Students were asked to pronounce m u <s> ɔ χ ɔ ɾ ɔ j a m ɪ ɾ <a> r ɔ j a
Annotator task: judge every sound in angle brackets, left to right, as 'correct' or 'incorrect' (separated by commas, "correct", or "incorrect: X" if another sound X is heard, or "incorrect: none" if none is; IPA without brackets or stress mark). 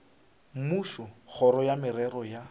incorrect: ʃ, incorrect: ɛ